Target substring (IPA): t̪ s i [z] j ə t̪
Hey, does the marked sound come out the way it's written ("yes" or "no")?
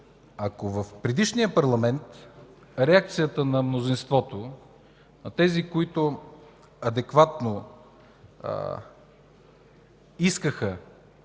no